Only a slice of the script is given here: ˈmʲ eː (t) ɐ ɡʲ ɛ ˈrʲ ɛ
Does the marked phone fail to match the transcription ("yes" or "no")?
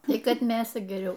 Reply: yes